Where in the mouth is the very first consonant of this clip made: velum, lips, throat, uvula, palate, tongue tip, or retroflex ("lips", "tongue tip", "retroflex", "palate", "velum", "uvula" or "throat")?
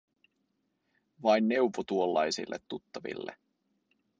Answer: lips